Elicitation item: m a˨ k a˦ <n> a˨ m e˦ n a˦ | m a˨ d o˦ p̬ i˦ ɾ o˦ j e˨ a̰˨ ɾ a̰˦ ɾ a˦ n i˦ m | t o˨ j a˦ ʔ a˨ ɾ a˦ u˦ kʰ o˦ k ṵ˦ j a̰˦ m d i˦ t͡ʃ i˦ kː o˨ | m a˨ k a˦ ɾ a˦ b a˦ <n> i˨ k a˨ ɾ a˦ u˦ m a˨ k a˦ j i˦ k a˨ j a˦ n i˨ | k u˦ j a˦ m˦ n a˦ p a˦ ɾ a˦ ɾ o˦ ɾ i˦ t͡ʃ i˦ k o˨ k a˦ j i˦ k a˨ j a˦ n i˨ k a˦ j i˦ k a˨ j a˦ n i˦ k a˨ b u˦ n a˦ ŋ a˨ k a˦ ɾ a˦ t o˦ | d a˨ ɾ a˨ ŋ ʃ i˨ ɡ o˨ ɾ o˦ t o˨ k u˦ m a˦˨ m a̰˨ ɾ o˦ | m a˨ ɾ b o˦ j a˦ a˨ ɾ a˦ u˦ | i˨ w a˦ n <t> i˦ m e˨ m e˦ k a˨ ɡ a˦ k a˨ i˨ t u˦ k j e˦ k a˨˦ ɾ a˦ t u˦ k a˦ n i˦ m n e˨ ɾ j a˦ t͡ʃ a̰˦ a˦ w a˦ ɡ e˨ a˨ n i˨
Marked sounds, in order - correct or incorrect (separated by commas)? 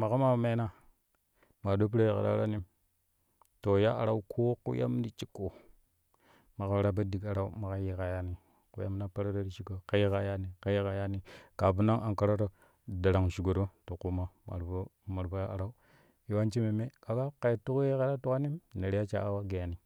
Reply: incorrect, incorrect, incorrect